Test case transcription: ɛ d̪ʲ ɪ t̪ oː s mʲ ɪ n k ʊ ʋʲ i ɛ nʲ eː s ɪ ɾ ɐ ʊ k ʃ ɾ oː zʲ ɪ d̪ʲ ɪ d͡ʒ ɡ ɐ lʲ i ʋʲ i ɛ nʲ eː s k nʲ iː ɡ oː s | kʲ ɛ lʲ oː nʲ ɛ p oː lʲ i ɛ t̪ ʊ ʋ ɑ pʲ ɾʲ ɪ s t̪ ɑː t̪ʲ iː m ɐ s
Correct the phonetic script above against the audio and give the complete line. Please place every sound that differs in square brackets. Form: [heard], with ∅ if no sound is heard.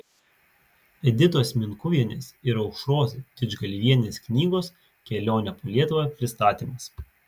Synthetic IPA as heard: ɛ d̪ʲ ɪ t̪ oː s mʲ ɪ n k ʊ ʋʲ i ɛ nʲ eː s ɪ ɾ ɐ ʊ k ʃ ɾ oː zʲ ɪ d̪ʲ ɪ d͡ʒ ɡ ɐ lʲ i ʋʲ i ɛ nʲ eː s k nʲ iː ɡ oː s | kʲ ɛ lʲ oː nʲ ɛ p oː lʲ i ɛ t̪ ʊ ʋ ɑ pʲ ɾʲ ɪ s t̪ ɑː t̪ʲ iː m ɐ s